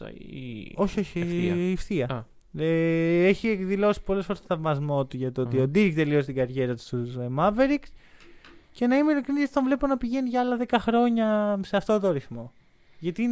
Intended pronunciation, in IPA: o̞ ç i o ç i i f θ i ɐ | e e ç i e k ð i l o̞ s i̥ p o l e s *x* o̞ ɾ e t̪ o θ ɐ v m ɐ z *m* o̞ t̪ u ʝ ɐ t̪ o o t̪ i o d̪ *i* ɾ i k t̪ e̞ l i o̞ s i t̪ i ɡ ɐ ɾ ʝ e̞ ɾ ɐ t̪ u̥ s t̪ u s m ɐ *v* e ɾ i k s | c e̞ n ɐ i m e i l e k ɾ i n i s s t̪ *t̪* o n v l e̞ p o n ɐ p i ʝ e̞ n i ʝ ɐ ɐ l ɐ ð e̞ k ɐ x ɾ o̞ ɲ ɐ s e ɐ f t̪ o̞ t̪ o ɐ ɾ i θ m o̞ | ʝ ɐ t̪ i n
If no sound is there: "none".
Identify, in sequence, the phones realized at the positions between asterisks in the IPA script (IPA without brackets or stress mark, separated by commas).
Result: f, m, i, v, t̪